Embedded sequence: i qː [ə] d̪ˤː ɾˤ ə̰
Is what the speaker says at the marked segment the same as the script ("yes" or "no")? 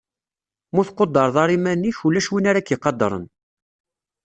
no